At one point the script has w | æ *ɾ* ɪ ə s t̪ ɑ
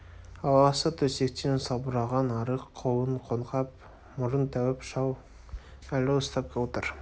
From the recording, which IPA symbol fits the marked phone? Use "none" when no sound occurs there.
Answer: l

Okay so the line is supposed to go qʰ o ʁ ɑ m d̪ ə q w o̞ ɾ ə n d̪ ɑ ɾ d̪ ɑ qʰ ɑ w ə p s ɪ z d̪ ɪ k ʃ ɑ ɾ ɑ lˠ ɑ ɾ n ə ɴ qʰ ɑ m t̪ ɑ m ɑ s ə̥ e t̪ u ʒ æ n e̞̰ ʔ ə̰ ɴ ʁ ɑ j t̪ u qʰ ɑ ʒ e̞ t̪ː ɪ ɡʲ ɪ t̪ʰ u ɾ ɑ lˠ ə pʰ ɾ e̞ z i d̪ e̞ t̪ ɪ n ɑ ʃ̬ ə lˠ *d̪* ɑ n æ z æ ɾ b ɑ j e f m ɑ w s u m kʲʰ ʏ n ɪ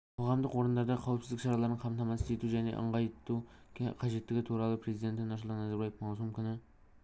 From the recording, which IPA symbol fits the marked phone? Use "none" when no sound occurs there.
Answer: t̪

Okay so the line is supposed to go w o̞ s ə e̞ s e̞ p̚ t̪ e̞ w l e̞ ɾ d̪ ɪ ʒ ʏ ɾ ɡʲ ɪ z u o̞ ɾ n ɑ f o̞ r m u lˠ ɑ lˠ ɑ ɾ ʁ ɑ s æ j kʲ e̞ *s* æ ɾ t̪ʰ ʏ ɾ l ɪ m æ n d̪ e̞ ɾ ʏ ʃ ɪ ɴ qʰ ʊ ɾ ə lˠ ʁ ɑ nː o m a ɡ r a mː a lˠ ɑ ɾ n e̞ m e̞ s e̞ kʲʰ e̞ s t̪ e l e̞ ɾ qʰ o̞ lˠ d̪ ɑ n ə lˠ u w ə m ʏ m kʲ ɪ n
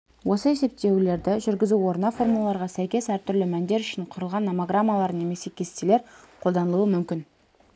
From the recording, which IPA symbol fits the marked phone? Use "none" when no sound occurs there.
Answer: s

